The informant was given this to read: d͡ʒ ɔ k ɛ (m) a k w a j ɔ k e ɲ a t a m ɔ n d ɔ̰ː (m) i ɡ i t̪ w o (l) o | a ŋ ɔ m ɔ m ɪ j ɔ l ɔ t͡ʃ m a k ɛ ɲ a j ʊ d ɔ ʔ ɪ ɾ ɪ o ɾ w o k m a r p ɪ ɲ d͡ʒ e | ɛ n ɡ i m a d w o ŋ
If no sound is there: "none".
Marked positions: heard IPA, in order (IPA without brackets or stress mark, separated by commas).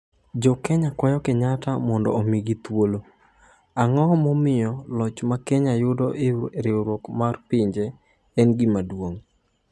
ɲ, m, l